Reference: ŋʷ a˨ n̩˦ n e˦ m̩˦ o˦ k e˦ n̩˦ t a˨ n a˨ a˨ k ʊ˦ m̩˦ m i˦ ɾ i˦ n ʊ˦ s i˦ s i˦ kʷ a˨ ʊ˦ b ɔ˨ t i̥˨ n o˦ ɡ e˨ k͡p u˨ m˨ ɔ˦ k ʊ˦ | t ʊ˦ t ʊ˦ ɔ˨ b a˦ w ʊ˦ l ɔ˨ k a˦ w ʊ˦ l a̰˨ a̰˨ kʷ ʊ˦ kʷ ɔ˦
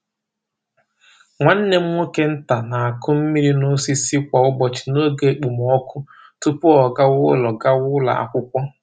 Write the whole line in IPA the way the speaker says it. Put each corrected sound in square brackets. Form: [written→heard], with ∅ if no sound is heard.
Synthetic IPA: ŋʷ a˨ n̩˦ n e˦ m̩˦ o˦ k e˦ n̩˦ t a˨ n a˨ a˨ k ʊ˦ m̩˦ m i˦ ɾ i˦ n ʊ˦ s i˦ s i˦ kʷ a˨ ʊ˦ b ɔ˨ [t→t͡ʃ] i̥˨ n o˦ ɡ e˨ k͡p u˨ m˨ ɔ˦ k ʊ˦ | t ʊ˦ [t→p] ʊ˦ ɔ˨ [b→ɡ] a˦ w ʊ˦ l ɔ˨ [k→ɡ] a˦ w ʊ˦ l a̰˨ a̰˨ kʷ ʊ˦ kʷ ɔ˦